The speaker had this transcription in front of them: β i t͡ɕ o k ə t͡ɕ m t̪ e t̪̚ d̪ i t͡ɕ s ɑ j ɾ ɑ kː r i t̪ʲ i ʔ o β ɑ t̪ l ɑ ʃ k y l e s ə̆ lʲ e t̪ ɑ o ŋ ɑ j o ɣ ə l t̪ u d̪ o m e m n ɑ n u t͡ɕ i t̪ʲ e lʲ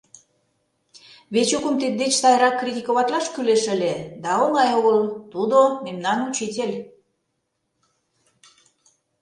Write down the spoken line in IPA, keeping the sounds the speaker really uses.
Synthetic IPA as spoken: β e t͡ɕ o k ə m t̪ e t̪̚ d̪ e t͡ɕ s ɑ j ɾ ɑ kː r i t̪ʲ i k o β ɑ t̪ l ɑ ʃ k y l e ʃ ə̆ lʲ e d̪ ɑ o ŋ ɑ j o ɣ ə l t̪ u d̪ o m e m n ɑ n u t͡ɕ i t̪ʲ e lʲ